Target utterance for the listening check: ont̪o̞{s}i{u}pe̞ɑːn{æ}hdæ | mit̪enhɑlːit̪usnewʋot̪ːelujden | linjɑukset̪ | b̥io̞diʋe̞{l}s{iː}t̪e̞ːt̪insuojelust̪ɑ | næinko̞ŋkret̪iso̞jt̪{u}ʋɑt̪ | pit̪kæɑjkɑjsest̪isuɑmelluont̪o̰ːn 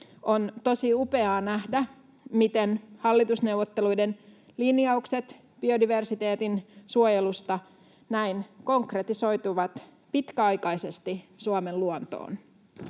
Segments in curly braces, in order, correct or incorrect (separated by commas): correct, correct, correct, incorrect, incorrect, correct